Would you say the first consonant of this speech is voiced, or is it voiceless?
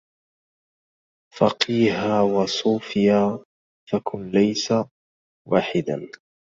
voiceless